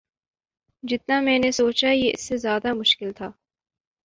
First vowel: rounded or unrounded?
unrounded